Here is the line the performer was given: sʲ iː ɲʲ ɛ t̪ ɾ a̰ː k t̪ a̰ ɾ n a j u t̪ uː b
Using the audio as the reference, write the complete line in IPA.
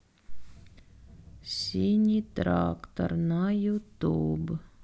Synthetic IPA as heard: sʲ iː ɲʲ i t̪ ɾ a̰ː k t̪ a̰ ɾ n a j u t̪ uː b